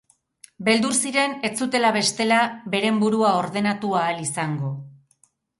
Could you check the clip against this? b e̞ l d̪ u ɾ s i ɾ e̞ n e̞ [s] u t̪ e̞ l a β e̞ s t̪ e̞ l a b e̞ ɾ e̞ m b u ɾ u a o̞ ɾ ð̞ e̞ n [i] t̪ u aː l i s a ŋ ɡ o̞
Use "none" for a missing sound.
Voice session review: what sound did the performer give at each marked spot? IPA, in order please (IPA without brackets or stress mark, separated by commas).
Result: t͡s, a